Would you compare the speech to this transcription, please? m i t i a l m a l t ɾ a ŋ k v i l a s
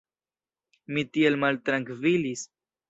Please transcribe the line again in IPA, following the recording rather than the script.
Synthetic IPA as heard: m i t i e l m a l t ɾ a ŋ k v i l i s